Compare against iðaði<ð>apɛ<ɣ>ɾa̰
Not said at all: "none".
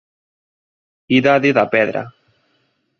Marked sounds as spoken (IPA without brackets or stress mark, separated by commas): ð, ð